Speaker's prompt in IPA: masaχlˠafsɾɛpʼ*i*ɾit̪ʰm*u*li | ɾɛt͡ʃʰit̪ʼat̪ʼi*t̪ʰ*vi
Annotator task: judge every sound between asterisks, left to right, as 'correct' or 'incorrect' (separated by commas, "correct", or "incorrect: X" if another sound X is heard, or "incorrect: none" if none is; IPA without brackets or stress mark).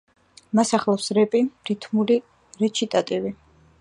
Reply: correct, correct, incorrect: none